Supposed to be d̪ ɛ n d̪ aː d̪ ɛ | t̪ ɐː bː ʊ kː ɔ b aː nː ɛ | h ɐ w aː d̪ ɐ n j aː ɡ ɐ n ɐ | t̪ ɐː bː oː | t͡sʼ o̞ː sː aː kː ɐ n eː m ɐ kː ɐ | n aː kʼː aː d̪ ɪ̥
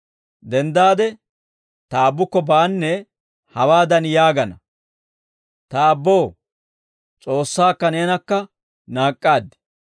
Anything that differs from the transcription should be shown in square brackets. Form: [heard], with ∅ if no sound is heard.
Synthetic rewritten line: d̪ ɛ n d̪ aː d̪ ɛ | t̪ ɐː bː ʊ kː ɔ b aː nː ɛ | h ɐ w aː d̪ ɐ n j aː ɡ ɐ n ɐ | t̪ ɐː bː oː | t͡sʼ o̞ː sː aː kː ɐ n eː [n] ɐ kː ɐ | n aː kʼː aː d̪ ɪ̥

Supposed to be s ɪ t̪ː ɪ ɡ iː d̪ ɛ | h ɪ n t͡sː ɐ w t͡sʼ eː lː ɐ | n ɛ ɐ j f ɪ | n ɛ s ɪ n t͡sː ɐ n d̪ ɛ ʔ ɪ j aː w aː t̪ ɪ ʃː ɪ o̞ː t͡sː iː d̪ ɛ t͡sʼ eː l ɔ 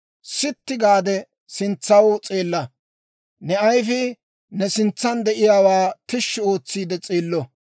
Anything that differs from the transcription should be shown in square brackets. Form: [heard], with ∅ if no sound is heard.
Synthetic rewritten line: s ɪ t̪ː ɪ ɡ [aː] d̪ ɛ | [s] ɪ n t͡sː ɐ w t͡sʼ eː lː ɐ | n ɛ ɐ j f ɪ | n ɛ s ɪ n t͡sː ɐ n d̪ ɛ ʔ ɪ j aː w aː t̪ ɪ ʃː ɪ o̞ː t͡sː iː d̪ ɛ t͡sʼ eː [lː] ɔ

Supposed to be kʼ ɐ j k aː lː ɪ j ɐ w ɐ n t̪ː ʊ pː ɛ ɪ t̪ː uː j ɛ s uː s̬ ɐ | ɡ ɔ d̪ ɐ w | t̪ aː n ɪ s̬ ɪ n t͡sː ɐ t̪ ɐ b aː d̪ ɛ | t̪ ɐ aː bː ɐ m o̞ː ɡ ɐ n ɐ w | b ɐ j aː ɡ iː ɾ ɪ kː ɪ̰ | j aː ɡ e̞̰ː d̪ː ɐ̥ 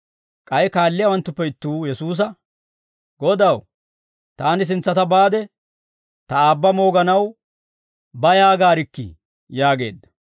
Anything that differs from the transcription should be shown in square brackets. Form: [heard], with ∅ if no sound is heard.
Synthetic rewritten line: kʼ ɐ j k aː lː ɪ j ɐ w ɐ n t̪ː ʊ pː ɛ ɪ t̪ː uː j ɛ s uː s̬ ɐ | ɡ ɔ d̪ ɐ w | t̪ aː n ɪ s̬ ɪ n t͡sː ɐ t̪ ɐ b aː d̪ ɛ | t̪ ɐ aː bː ɐ m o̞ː ɡ ɐ n ɐ w | b ɐ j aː ɡ [aː] ɾ ɪ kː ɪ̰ | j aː ɡ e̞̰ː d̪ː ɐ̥

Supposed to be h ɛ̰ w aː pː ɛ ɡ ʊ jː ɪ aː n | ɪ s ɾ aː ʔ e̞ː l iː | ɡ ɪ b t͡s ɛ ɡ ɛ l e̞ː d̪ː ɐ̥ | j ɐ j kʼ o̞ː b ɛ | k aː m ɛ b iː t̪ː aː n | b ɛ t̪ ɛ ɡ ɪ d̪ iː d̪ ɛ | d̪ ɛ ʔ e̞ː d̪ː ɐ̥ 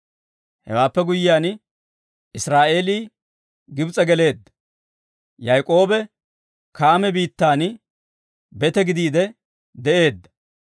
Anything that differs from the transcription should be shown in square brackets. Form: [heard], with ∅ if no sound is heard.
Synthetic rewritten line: h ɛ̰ w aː pː ɛ ɡ ʊ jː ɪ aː n | ɪ s ɾ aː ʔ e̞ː l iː | ɡ ɪ b [t͡sʼ] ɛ ɡ ɛ l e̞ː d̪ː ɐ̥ | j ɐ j kʼ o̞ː b ɛ | k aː m ɛ b iː t̪ː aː n | b ɛ t̪ ɛ ɡ ɪ d̪ iː d̪ ɛ | d̪ ɛ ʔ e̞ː d̪ː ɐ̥

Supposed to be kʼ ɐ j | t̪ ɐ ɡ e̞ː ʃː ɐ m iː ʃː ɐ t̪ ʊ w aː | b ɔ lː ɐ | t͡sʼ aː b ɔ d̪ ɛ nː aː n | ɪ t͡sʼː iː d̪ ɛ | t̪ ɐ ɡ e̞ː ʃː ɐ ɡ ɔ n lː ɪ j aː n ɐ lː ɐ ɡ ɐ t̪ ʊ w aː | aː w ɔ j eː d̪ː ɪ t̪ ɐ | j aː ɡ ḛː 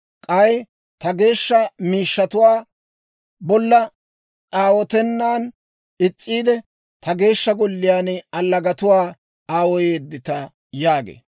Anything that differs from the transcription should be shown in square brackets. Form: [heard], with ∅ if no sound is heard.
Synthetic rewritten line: kʼ ɐ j | t̪ ɐ ɡ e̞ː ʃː ɐ m iː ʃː ɐ t̪ ʊ w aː | b ɔ lː ɐ | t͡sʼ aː [w] ɔ [t̪] ɛ nː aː n | ɪ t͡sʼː iː d̪ ɛ | t̪ ɐ ɡ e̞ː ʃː ɐ ɡ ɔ [∅] lː ɪ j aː n ɐ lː ɐ ɡ ɐ t̪ ʊ w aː | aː w ɔ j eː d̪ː ɪ t̪ ɐ | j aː ɡ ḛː

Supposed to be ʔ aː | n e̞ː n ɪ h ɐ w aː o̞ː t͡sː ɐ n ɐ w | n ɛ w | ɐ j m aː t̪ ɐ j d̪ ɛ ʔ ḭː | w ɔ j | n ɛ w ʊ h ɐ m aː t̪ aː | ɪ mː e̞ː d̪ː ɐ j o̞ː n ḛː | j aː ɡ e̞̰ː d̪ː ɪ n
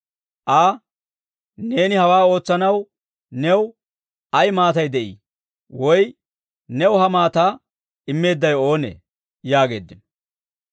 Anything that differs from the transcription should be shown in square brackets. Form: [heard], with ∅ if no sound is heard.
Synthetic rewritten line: ʔ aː | n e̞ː n ɪ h ɐ w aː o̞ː t͡sː ɐ n ɐ w | n ɛ w | ɐ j m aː t̪ ɐ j d̪ ɛ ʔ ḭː | w ɔ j | n ɛ w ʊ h ɐ m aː t̪ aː | ɪ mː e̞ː d̪ː ɐ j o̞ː n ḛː | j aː ɡ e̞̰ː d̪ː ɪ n

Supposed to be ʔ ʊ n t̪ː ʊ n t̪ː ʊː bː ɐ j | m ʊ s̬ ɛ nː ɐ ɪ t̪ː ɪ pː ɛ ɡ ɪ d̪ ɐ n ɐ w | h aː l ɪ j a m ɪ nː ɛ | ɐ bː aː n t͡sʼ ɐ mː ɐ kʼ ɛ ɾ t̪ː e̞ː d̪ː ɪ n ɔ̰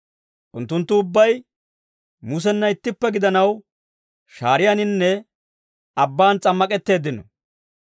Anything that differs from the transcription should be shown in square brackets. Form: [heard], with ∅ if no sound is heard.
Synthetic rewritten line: ʔ ʊ n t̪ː ʊ n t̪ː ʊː bː ɐ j | m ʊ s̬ ɛ nː ɐ ɪ t̪ː ɪ pː ɛ ɡ ɪ d̪ ɐ n ɐ w | [ʃ] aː [ɾ] ɪ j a [n] ɪ nː ɛ | ɐ bː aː n t͡sʼ ɐ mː ɐ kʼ ɛ [∅] t̪ː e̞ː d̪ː ɪ n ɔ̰

